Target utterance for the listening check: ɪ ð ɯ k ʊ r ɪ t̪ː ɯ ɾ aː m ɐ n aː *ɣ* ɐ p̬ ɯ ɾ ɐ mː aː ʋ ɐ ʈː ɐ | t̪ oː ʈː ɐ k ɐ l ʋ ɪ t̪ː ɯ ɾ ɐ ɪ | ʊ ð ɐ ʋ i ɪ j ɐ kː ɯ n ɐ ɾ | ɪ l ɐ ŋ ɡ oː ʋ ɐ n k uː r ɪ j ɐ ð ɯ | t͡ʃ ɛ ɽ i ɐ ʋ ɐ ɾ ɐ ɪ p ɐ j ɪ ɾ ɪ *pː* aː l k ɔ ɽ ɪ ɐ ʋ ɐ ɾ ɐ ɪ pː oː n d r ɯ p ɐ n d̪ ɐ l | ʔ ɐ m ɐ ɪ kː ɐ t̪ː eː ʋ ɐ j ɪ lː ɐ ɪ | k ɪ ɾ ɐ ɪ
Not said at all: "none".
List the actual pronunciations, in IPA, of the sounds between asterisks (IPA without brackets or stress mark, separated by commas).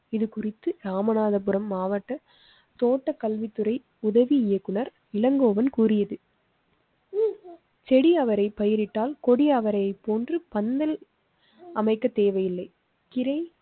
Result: ð, ʈː